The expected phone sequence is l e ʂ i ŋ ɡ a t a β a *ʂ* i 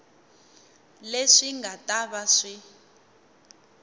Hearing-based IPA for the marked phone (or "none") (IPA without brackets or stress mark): ʂ